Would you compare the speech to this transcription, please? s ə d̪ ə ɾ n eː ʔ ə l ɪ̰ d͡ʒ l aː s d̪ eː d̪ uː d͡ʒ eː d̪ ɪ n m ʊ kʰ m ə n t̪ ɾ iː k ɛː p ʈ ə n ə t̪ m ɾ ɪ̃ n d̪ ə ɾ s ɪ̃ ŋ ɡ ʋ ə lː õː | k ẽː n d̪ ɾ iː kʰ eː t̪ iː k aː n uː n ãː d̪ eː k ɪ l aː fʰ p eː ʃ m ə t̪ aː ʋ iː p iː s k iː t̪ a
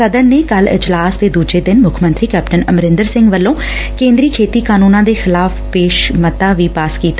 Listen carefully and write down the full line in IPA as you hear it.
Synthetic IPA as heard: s ə d̪ ə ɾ n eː k ə l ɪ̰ d͡ʒ l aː s d̪ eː d̪ uː d͡ʒ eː d̪ ɪ n m ʊ kʰ m ə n t̪ ɾ iː k ɛː p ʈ ə n ə m ɾ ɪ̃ n d̪ ə ɾ s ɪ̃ ŋ ɡ ʋ ə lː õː | k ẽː n d̪ ɾ iː kʰ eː t̪ iː k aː n uː n ãː d̪ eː x ɪ l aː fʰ p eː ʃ m ə t̪ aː ʋ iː p aː s k iː t̪ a